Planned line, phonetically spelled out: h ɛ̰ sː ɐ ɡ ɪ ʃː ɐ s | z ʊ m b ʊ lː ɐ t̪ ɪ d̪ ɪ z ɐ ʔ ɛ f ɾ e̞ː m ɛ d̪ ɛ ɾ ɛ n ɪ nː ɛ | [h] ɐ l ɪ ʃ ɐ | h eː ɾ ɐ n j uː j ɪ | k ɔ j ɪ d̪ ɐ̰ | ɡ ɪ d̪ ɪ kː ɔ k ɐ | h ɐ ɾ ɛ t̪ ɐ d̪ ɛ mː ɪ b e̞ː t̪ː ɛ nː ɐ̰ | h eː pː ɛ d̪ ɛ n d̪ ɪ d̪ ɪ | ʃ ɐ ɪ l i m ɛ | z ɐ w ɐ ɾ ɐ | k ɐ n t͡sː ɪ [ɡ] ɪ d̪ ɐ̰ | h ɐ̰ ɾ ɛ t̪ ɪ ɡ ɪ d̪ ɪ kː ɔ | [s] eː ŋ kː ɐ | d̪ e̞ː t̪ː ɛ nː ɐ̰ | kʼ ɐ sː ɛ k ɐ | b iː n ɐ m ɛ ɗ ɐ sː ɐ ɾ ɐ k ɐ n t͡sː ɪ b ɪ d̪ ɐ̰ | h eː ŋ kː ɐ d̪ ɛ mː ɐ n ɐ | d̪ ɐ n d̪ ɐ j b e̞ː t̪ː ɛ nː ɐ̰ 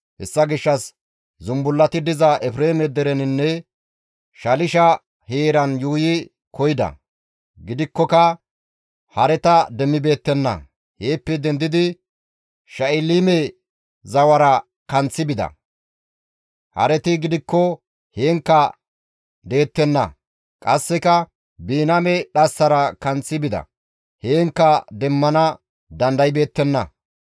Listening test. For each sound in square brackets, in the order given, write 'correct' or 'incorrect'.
incorrect, incorrect, incorrect

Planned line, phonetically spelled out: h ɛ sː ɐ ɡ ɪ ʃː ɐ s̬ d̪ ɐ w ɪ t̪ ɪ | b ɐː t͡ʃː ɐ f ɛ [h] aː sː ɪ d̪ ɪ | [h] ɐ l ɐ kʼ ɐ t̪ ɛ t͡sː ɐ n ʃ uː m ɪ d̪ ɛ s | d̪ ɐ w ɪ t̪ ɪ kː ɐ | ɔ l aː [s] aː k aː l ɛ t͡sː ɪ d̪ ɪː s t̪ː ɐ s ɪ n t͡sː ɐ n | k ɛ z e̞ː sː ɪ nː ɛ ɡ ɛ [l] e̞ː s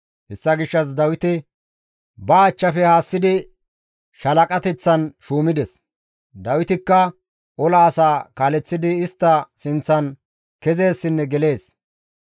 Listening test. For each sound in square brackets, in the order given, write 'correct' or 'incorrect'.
correct, incorrect, correct, correct

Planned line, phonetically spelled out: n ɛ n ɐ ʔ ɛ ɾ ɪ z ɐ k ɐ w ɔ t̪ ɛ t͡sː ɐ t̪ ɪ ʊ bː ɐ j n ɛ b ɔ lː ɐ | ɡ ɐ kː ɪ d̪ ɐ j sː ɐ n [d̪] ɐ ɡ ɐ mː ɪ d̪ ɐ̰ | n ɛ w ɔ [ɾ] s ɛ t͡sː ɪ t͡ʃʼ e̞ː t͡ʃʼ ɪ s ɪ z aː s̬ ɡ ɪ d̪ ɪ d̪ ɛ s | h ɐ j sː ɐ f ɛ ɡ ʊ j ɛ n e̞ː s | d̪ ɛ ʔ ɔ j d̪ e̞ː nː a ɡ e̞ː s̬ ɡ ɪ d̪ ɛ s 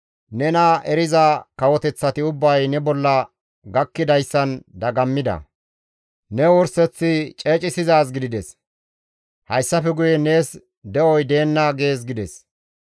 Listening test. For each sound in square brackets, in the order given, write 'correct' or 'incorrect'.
correct, correct

